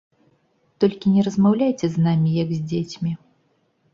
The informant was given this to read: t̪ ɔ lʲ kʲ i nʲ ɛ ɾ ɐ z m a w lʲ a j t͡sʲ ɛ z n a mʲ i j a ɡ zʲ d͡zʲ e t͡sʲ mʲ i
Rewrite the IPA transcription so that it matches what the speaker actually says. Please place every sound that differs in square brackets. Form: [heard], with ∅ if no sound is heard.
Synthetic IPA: t̪ ɔ lʲ kʲ i nʲ ɛ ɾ ɐ z m a w lʲ a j t͡sʲ ɛ z n a mʲ i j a ɡ zʲ d͡zʲ e t͡sʲ mʲ i